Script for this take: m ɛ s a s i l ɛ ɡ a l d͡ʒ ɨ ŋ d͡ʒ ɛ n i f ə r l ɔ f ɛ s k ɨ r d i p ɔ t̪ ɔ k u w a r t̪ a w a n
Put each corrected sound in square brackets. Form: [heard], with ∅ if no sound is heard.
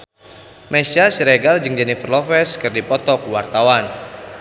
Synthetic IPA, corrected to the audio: m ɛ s a s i [ɾ] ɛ ɡ a l d͡ʒ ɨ ŋ d͡ʒ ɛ n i f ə r l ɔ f ɛ s k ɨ r d i p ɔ t̪ ɔ k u w a r t̪ a w a n